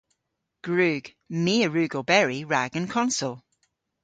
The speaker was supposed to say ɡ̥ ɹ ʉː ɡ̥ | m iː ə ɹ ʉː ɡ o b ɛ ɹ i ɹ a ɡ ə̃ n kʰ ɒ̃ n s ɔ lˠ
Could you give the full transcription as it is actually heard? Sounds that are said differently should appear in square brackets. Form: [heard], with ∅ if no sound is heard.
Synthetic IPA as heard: ɡ̥ ɹ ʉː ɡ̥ | m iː ə ɹ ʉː ɡ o b ɛ ɹ i ɹ a ɡ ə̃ n kʰ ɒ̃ n s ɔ lˠ